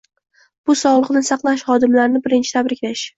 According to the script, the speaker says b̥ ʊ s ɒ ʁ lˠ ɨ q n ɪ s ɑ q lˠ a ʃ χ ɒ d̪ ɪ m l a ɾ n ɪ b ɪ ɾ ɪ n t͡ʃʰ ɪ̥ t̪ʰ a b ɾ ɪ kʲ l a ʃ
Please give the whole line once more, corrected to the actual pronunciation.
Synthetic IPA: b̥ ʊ s ɒ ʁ lˠ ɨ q n ɪ s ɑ q lˠ a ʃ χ ɒ d̪ ɪ m l a ɾ n ɪ b ɪ ɾ ɪ n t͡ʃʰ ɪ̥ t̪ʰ a b ɾ ɪ kʲ l a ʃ